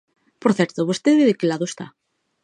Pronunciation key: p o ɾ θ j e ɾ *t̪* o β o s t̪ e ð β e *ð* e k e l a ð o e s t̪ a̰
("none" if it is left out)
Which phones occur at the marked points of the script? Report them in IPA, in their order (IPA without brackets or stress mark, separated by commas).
t̪, ð